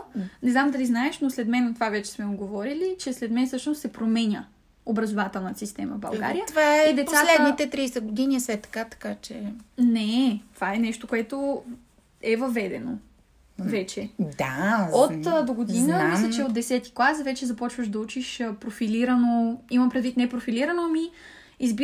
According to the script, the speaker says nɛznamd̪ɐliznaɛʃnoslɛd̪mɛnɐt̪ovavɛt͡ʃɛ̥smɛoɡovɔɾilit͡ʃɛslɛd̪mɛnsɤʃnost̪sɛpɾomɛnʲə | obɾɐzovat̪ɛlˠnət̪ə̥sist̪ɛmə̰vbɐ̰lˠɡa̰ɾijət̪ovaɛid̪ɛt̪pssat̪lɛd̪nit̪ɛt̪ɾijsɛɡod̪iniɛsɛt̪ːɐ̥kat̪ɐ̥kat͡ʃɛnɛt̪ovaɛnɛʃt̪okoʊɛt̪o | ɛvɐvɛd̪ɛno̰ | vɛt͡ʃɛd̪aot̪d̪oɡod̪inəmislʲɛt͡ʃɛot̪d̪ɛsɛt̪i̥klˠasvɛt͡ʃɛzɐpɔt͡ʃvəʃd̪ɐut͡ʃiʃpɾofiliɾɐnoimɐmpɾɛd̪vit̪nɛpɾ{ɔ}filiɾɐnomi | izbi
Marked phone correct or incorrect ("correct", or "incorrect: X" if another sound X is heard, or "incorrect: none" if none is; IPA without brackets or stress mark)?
incorrect: o